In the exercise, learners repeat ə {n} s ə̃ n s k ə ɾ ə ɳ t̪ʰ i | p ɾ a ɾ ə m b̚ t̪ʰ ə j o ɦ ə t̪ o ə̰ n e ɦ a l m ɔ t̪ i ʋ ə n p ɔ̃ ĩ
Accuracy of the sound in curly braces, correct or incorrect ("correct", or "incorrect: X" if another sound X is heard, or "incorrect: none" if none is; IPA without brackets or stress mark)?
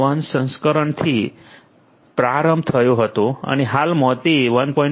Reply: correct